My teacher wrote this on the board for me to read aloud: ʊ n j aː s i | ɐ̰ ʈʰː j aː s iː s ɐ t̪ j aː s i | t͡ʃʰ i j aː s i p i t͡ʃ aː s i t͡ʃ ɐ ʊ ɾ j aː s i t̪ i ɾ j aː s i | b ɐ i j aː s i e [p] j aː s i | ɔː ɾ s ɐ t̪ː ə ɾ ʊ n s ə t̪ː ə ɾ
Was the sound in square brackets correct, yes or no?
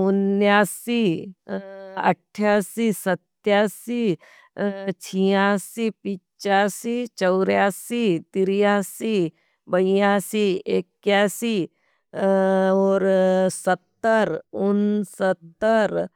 no